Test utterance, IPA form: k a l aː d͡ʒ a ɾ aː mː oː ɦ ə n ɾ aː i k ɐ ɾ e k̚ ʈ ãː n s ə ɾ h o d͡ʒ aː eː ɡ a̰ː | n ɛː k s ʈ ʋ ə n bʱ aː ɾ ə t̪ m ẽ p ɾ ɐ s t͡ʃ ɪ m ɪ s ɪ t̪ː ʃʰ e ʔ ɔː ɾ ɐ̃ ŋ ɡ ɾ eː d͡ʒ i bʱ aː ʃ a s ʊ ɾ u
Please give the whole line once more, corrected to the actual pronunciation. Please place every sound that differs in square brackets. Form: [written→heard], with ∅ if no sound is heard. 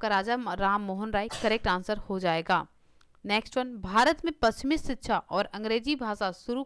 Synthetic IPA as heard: k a [l→ɾ] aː d͡ʒ a ɾ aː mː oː ɦ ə n ɾ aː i k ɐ ɾ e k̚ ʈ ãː n s ə ɾ h o d͡ʒ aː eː ɡ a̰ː | n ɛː k s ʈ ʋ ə n bʱ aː ɾ ə t̪ m ẽ p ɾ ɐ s t͡ʃ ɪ m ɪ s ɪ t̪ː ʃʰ [e→a] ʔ ɔː ɾ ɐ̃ ŋ ɡ ɾ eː d͡ʒ i bʱ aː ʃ a s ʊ ɾ u